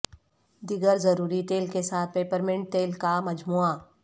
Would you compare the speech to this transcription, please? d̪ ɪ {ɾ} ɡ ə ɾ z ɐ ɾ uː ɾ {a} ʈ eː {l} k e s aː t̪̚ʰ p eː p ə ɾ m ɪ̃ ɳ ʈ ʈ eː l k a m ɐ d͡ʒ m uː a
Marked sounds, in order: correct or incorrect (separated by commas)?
incorrect, incorrect, correct